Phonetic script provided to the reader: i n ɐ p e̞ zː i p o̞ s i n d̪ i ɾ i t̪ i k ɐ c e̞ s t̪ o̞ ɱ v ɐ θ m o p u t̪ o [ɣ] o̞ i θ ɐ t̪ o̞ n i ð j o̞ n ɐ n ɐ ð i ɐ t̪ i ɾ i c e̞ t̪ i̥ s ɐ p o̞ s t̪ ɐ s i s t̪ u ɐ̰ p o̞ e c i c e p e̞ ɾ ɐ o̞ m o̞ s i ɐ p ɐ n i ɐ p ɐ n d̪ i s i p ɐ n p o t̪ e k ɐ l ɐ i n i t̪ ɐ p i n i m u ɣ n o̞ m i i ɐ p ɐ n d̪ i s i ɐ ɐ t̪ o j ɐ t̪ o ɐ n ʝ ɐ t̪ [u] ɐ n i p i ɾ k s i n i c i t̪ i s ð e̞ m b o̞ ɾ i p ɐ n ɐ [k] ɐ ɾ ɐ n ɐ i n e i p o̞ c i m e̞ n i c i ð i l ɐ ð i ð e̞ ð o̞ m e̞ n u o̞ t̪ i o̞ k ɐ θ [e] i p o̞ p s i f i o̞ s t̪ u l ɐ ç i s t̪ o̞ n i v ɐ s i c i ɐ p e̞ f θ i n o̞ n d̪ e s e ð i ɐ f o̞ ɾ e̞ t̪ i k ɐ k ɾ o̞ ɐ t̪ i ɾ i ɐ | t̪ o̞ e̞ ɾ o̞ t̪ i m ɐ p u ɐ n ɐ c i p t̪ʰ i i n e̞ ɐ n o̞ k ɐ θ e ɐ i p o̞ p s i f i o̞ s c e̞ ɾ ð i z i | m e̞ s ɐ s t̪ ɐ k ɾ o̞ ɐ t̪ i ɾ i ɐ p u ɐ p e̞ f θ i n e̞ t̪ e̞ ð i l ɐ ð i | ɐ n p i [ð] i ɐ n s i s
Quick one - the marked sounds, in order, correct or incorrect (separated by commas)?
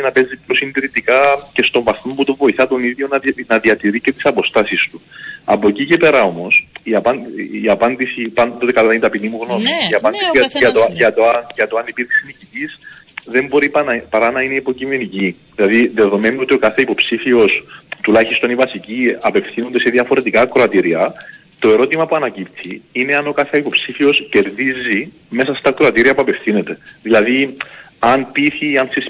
incorrect, incorrect, incorrect, correct, incorrect